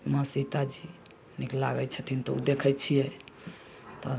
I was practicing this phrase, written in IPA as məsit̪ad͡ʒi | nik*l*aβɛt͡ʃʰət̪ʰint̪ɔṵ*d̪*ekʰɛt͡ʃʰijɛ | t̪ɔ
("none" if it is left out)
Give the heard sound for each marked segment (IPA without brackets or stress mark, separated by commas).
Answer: l, d̪